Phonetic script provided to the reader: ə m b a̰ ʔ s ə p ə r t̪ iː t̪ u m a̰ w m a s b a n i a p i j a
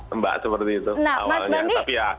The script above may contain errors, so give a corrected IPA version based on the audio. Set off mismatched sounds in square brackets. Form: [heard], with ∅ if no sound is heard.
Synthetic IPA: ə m b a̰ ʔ s ə p ə r t̪ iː t̪ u [n] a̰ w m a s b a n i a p i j a